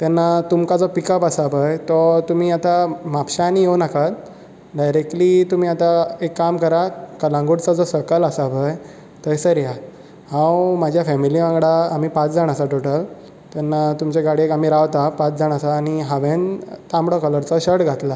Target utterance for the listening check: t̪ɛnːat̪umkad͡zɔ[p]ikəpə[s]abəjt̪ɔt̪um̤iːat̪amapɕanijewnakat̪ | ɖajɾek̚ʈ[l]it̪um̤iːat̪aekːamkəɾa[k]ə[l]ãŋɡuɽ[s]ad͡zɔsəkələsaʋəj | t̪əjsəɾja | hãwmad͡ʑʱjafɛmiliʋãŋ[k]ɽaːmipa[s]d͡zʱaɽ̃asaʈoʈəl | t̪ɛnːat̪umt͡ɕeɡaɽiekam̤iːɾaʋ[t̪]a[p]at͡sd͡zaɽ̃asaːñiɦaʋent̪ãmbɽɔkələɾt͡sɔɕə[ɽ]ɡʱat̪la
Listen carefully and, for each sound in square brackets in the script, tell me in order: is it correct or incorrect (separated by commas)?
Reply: correct, correct, correct, correct, correct, incorrect, incorrect, incorrect, correct, correct, correct